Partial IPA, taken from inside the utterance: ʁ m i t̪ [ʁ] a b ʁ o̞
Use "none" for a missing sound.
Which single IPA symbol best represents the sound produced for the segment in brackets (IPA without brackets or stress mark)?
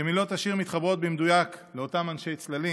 χ